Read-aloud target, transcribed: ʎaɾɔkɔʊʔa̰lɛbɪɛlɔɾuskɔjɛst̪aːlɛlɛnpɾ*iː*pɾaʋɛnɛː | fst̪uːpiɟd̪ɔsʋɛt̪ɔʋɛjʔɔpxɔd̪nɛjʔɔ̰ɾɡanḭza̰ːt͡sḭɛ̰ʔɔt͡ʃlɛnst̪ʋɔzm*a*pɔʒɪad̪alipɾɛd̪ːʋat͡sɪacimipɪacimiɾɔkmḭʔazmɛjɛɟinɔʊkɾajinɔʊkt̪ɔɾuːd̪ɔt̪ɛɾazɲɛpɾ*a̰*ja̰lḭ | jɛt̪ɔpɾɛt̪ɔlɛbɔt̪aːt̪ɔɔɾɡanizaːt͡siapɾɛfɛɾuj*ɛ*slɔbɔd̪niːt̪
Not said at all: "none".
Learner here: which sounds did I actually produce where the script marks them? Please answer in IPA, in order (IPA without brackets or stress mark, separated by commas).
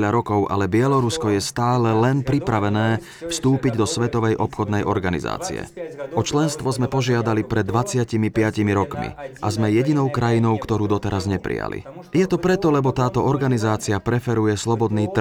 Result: i, ɛ, ḭ, ɛ